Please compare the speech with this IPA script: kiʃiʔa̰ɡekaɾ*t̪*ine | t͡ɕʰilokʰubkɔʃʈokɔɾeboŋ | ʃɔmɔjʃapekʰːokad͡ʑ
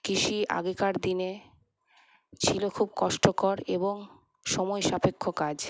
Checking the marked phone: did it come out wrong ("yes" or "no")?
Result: yes